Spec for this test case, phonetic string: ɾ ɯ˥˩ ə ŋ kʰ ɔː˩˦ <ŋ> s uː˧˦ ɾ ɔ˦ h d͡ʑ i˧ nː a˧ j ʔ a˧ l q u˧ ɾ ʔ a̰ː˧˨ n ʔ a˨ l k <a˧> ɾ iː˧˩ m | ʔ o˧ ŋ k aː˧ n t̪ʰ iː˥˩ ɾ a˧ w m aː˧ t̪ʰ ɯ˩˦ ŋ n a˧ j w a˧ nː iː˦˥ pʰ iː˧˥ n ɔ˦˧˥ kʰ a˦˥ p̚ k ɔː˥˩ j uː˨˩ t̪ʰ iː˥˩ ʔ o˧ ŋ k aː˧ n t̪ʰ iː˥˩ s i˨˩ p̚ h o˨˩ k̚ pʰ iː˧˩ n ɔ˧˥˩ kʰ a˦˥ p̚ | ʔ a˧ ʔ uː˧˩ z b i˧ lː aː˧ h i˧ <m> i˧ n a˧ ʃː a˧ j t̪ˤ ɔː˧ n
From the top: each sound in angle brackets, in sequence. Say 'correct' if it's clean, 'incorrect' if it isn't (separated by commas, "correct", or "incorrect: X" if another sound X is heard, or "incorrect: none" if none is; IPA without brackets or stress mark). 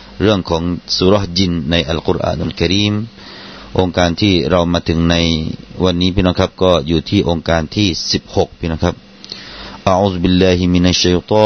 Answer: correct, correct, correct